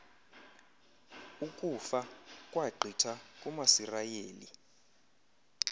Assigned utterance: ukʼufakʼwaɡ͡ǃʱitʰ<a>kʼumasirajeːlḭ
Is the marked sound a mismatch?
no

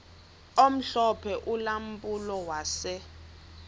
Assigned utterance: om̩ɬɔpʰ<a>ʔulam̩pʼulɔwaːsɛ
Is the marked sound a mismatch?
yes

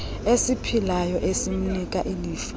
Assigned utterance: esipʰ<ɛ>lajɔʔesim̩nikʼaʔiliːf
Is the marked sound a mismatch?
yes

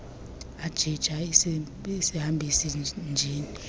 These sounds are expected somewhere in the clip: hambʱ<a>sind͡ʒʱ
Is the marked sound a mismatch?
yes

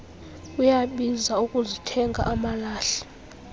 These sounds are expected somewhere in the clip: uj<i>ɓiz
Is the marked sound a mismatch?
yes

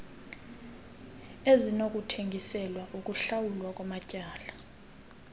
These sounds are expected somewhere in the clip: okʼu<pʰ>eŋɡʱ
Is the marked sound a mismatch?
yes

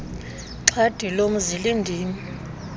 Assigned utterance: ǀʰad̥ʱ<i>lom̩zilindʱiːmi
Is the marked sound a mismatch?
no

